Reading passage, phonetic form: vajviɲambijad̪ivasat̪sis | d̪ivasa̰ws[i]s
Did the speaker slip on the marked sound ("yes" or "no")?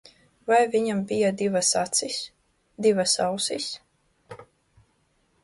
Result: no